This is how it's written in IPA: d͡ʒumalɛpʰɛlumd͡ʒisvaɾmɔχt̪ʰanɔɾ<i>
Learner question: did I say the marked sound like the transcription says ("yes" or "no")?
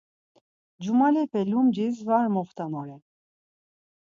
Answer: no